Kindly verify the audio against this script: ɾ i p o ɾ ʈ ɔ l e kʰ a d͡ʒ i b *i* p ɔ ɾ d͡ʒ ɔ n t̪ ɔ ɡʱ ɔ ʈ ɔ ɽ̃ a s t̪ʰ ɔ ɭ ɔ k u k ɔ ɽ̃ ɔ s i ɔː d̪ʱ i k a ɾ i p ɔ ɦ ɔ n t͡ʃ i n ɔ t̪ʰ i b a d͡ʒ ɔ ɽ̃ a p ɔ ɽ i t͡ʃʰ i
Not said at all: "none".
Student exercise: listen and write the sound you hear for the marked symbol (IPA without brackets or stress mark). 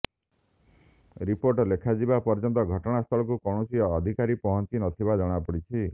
a